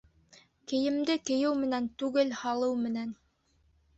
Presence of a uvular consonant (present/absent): absent